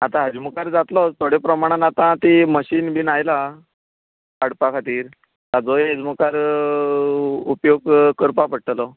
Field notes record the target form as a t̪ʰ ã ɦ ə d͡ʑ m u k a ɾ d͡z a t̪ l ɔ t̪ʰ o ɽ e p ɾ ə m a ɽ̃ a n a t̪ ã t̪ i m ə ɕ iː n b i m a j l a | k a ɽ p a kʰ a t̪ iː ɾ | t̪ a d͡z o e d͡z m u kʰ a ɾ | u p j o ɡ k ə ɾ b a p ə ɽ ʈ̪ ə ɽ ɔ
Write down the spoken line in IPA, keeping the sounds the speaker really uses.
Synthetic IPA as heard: a t̪ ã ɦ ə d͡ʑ m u k a ɾ d͡z a t̪ l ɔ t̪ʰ o ɽ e p ɾ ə m a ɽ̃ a n a t̪ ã t̪ i m ə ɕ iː n b i n a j l a | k a ɽ p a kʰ a t̪ iː ɾ | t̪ a d͡z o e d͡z m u k a ɾ | u p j o ɡ k ə ɾ p a p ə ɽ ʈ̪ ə l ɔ